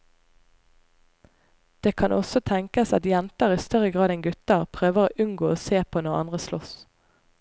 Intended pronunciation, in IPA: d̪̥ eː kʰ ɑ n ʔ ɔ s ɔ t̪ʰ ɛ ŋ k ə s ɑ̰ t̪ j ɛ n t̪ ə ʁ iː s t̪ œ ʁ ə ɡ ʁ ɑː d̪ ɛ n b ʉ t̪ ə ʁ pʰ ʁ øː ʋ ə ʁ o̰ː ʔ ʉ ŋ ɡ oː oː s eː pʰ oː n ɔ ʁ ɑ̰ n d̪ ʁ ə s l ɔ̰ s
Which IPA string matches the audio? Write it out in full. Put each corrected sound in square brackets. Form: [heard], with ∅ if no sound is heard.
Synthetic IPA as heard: d̪̥ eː kʰ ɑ n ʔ ɔ s ɔ t̪ʰ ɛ ŋ k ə s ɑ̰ t̪ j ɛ n t̪ ə ʁ iː s t̪ œ ʁ ə ɡ ʁ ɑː d̪ ɛ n [ɡ] ʉ t̪ ə ʁ pʰ ʁ øː ʋ ə ʁ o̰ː ʔ ʉ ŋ ɡ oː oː s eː pʰ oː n ɔ ʁ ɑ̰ n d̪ ʁ ə s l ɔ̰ s